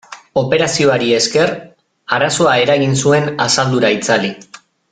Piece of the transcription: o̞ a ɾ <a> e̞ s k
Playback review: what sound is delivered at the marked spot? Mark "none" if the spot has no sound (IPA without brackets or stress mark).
i